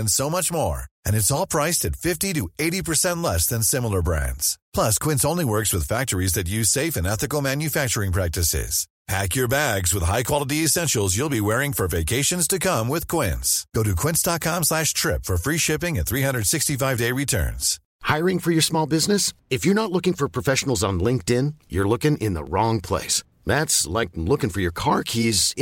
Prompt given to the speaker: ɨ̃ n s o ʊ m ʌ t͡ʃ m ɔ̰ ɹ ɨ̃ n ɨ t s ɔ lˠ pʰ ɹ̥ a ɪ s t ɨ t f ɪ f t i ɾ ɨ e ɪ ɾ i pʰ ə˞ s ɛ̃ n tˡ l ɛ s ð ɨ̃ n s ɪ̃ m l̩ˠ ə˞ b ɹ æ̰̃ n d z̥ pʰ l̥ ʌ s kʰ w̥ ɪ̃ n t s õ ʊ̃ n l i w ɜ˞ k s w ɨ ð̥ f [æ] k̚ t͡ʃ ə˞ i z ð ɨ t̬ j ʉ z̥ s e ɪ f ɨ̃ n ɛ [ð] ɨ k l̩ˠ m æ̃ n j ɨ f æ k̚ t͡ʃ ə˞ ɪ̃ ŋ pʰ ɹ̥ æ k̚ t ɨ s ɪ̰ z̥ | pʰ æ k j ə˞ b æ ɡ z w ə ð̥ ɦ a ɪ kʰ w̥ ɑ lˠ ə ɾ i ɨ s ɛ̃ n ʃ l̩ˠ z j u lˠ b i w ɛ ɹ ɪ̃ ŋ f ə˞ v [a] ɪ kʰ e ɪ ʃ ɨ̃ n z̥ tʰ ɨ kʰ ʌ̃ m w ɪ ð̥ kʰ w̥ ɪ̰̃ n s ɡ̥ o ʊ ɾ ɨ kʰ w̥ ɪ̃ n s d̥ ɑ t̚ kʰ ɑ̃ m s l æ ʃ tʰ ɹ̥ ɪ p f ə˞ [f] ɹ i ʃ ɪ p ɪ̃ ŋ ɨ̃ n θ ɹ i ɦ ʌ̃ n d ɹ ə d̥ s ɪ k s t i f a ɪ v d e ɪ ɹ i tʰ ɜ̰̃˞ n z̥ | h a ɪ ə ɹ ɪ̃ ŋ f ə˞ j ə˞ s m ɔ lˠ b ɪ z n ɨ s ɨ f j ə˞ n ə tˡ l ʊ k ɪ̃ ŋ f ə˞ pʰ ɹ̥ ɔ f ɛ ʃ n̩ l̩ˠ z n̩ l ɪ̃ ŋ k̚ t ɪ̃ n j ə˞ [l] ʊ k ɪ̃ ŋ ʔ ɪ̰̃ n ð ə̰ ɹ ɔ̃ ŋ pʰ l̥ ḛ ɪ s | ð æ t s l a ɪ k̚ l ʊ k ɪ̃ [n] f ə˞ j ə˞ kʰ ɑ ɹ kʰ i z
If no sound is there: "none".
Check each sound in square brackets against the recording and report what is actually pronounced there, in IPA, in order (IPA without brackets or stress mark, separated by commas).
æ, θ, e, f, l, ŋ